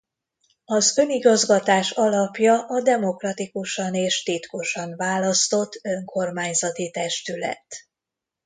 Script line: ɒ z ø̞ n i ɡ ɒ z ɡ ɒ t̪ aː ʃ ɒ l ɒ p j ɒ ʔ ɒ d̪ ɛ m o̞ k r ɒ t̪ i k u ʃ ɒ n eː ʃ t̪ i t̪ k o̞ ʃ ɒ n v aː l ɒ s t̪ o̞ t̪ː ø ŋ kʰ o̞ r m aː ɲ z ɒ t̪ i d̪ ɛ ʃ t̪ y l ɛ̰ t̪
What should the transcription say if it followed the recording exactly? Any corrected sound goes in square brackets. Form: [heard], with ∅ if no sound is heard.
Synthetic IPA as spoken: ɒ z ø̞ n i ɡ ɒ z ɡ ɒ t̪ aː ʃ ɒ l ɒ p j ɒ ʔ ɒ d̪ ɛ m o̞ k r ɒ t̪ i k u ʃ ɒ n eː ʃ t̪ i t̪ k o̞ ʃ ɒ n v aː l ɒ s t̪ o̞ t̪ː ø ŋ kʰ o̞ r m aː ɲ z ɒ t̪ i [t̪] ɛ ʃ t̪ y l ɛ̰ t̪